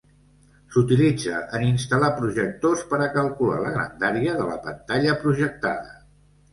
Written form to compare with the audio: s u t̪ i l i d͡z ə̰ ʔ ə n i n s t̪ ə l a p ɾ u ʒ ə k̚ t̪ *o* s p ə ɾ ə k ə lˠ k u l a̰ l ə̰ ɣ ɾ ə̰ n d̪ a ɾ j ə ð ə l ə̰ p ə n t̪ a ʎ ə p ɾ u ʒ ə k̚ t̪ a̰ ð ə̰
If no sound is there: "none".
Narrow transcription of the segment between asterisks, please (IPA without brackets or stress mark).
o